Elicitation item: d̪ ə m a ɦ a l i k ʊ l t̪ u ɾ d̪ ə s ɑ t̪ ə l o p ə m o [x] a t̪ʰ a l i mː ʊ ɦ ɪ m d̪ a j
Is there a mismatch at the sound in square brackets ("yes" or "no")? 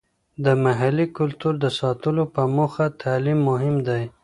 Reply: no